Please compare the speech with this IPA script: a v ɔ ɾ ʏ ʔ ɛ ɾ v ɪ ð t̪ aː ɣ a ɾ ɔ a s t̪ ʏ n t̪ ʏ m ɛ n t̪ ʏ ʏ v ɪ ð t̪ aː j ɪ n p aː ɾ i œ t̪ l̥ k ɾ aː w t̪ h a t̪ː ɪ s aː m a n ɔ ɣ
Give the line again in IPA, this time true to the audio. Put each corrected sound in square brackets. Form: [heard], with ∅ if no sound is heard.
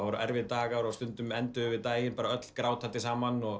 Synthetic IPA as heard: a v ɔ ɾ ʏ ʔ ɛ ɾ v ɪ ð t̪ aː ɣ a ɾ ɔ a s t̪ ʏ n t̪ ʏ m ɛ n t̪ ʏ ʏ v ɪ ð t̪ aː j ɪ n p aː ɾ [a] œ t̪ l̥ k ɾ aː w t̪ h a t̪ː ɪ s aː m a n ɔ ɣ